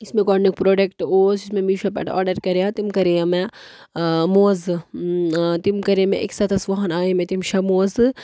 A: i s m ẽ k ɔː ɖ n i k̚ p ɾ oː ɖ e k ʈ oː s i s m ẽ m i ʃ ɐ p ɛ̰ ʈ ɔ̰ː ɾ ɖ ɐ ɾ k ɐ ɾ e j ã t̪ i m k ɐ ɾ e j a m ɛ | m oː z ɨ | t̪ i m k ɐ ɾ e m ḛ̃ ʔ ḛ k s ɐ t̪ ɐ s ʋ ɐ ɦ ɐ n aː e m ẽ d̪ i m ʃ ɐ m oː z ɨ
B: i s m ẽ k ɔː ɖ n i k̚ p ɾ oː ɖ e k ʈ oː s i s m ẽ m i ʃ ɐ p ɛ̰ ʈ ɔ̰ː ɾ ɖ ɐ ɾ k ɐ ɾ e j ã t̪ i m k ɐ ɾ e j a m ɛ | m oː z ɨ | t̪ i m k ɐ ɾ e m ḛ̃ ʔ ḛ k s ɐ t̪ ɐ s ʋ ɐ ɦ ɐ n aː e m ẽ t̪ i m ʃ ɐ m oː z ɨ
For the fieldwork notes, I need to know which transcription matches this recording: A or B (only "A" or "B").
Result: B